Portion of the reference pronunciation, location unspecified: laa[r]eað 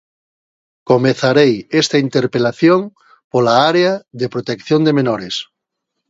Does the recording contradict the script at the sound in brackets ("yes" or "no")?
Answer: yes